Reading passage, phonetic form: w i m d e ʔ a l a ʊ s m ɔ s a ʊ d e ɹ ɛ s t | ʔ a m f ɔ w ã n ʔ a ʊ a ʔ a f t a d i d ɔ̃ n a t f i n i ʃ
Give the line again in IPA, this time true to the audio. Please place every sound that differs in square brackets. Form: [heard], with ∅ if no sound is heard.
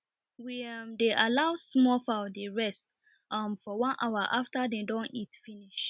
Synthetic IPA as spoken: w i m d e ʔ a l a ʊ s m ɔ [f] a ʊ d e ɹ ɛ s t | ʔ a m f ɔ w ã n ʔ a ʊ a ʔ a f t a d [e] d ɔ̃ n [i] t f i n i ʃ

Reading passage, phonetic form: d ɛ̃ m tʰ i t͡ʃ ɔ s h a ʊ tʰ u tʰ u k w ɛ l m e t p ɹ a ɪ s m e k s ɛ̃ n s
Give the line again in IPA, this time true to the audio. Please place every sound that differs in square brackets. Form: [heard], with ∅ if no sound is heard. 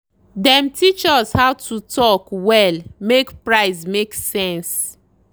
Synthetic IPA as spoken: d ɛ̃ m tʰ i t͡ʃ ɔ s h a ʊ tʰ u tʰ [ɔ] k w ɛ l m e [k] p ɹ a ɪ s m e k s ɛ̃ n s

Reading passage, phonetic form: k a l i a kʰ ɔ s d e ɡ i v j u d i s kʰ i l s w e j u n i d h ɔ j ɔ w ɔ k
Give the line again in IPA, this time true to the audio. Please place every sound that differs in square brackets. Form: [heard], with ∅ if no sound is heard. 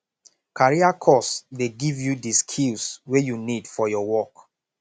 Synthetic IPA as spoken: k a [ɹ] i a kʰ ɔ s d e ɡ i v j u d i s kʰ i l s w e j u n i d [f] ɔ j ɔ w ɔ k

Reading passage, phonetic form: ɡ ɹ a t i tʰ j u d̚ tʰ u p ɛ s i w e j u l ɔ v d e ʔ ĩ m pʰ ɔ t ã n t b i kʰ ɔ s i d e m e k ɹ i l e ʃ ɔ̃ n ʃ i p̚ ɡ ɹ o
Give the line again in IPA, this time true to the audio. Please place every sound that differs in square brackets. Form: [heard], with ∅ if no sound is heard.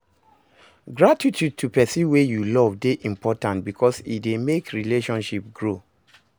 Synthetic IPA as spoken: ɡ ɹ a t i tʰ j u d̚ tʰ u p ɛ s i w e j u l ɔ v d e ʔ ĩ m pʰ ɔ t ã n t b i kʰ ɔ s i d e m e k ɹ i l e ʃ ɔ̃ n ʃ i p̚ ɡ ɹ o

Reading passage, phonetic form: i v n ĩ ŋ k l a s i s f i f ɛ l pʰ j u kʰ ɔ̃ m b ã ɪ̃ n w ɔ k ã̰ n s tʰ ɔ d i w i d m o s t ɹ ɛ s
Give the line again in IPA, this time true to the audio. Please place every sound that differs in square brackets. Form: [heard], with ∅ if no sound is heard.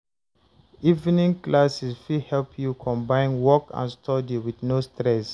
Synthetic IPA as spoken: i v n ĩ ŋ k l a s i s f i [h] ɛ l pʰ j u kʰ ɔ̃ m b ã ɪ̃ n w ɔ k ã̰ n s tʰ ɔ d i w i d [n] o s t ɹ ɛ s

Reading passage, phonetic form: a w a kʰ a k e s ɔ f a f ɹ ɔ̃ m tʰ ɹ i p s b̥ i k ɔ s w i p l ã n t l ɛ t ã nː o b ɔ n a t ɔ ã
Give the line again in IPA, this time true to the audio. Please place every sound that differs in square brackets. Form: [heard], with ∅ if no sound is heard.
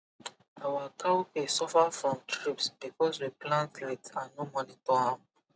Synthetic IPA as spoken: a w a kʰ a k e s ɔ f a f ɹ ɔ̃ m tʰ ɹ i p s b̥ i k ɔ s w i p l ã n t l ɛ t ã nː o [m] ɔ n [i] t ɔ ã

